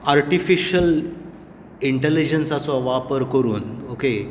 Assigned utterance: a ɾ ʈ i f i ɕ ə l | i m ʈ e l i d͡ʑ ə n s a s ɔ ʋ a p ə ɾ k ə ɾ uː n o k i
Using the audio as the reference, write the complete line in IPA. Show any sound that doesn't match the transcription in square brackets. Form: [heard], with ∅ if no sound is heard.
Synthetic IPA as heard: a ɾ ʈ i f i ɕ ə l | i [ɳ] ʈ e l i d͡ʑ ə n s a [t͡s] ɔ ʋ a p ə ɾ k ə ɾ uː n o k [e]